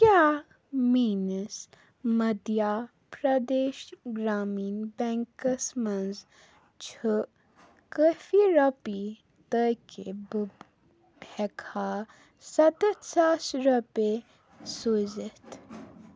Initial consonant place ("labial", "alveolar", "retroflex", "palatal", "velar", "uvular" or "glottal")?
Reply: velar